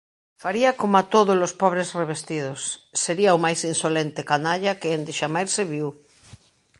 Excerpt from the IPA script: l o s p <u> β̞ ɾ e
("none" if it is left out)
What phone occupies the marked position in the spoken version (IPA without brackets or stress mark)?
ɔ